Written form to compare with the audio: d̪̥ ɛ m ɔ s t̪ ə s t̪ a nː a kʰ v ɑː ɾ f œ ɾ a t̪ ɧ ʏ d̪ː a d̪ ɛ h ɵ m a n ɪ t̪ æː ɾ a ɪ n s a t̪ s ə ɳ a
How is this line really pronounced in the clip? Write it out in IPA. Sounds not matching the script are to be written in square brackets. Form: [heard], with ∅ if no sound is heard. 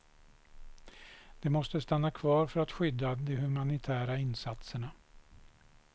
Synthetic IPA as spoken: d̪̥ ɛ m ɔ s t̪ ə s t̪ a nː a kʰ v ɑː ɾ f œ ɾ a t̪ ɧ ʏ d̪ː a d̪ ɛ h ɵ m a n ɪ [t̪ʰ] æː ɾ a ɪ n s a t̪ s ə ɳ a